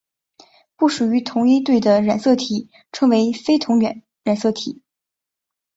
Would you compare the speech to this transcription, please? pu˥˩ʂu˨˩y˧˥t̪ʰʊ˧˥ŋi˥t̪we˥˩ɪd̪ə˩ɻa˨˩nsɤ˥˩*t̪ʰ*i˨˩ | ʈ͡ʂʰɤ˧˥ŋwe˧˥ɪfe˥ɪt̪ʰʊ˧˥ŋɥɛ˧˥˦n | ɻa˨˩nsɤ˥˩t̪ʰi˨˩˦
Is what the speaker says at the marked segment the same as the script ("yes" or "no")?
yes